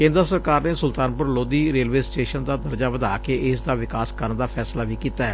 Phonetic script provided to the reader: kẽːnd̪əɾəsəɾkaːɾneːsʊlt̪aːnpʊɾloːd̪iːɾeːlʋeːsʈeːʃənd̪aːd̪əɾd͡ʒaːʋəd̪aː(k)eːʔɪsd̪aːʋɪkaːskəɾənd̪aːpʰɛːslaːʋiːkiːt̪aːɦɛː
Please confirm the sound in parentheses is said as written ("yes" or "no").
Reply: yes